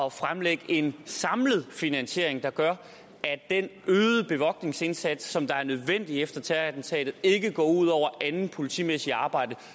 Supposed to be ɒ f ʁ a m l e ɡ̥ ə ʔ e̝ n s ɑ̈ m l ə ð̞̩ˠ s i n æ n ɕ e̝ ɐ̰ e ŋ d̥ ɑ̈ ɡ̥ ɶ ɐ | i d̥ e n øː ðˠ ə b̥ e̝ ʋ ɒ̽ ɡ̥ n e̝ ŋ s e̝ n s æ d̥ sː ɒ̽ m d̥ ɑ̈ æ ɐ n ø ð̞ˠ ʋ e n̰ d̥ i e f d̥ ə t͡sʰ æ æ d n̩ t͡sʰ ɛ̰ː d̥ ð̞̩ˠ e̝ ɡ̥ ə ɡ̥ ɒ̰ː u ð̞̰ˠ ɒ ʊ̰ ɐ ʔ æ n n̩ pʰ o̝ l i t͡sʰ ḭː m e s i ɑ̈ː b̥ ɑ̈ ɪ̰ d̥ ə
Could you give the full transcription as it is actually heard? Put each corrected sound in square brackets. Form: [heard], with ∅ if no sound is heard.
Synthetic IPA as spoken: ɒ f ʁ a m l e ɡ̥ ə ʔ e̝ n s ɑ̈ m l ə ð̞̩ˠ [f] i n æ n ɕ e̝ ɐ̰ e ŋ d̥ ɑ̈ ɡ̥ ɶ ɐ | [æ] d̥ e n øː ðˠ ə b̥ e̝ ʋ ɒ̽ ɡ̥ n e̝ ŋ s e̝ n s æ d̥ sː ɒ̽ m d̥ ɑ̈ æ ɐ n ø ð̞ˠ ʋ e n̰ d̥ i e f d̥ [ɐ] t͡sʰ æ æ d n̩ t͡sʰ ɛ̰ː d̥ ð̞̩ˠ e̝ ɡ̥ ə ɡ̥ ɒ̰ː u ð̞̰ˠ ɒ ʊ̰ ɐ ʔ æ n n̩ pʰ o̝ l i t͡sʰ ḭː m e s i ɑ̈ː b̥ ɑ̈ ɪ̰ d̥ ə